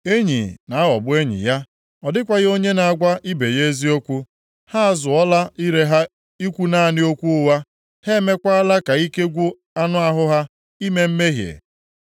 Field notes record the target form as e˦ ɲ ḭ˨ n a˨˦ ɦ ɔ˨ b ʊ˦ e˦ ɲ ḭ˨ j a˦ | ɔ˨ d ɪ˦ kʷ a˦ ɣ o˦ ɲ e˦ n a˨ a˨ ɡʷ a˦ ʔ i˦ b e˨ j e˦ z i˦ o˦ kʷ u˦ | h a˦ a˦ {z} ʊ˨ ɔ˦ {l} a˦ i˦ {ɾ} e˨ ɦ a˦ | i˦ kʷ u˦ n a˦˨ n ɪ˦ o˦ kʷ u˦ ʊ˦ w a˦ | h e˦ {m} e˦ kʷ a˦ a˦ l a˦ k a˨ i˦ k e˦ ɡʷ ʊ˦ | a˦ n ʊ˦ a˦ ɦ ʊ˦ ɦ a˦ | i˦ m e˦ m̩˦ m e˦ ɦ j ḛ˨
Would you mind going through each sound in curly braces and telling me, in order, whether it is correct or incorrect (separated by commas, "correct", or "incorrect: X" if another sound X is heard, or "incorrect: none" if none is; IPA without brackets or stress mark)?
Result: correct, correct, correct, correct